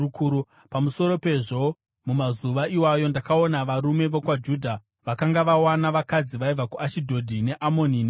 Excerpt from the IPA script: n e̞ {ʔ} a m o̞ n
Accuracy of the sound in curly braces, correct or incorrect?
correct